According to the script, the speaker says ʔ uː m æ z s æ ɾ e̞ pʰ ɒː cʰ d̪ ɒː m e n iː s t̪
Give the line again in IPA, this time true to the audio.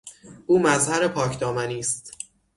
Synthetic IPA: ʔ uː m æ z h æ ɾ e̞ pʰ ɒː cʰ d̪ ɒː m æ n iː s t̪